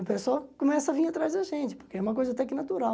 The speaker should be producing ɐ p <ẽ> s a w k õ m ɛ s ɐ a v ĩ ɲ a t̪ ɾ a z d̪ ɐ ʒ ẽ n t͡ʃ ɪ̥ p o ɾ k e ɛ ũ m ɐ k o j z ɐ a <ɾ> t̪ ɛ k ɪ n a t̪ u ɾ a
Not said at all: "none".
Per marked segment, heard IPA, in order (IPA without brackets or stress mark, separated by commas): e, none